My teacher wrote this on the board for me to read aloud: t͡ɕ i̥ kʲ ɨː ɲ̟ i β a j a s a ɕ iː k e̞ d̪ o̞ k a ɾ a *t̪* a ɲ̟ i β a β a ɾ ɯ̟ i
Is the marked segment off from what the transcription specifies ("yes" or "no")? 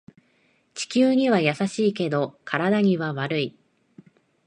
yes